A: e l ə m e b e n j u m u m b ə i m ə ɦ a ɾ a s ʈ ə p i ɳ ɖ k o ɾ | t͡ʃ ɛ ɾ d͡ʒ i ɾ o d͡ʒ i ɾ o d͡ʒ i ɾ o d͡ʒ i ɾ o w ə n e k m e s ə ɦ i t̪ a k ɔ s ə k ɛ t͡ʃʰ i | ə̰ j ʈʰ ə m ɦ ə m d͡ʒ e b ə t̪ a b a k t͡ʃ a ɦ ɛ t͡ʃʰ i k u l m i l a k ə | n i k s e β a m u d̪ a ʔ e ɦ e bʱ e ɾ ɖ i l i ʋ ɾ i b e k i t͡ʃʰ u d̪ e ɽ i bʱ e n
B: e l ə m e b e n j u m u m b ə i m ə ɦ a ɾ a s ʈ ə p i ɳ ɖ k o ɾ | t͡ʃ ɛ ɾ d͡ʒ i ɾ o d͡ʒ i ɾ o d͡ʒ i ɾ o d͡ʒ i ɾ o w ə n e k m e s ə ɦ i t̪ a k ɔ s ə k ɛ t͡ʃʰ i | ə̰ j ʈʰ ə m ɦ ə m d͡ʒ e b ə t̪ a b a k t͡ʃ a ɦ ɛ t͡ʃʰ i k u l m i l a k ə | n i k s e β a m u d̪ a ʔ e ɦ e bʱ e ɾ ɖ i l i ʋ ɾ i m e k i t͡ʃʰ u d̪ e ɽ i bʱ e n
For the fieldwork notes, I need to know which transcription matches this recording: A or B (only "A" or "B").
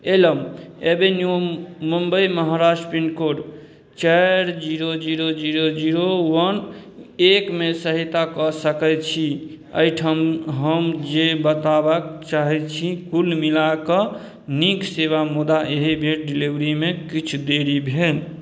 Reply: B